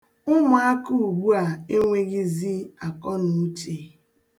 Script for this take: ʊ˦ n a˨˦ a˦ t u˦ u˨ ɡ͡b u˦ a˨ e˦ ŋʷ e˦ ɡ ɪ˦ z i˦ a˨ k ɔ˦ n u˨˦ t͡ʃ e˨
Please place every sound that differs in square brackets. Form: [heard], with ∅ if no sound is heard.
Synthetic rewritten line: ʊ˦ [m] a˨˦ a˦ [k] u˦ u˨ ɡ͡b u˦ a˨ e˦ ŋʷ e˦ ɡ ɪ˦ z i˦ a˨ k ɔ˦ n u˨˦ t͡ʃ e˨